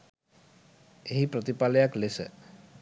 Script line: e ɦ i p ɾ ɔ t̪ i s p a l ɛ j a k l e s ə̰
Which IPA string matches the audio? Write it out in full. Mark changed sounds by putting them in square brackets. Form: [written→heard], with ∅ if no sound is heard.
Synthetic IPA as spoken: e ɦ i p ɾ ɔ t̪ i [s→∅] p a l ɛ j a k l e s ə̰